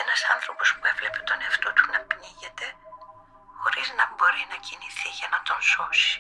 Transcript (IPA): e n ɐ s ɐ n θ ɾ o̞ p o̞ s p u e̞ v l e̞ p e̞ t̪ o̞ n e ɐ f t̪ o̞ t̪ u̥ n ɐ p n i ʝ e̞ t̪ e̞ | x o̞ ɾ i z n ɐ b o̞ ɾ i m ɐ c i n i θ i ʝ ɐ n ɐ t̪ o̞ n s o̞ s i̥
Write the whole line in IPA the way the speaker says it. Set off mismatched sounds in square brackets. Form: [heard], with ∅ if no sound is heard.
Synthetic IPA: e n ɐ s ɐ n θ ɾ o̞ p o̞ s p u e̞ v l e̞ p e̞ t̪ o̞ n e ɐ f t̪ o̞ t̪ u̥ n ɐ p n i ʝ e̞ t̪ e̞ | x o̞ ɾ i z n ɐ b o̞ ɾ i [n] ɐ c i n i θ i ʝ ɐ n ɐ t̪ o̞ n s o̞ s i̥